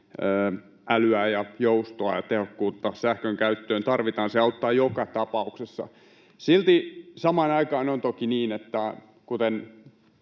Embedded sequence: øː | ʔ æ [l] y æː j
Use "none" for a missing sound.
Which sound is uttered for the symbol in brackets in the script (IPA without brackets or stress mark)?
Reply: l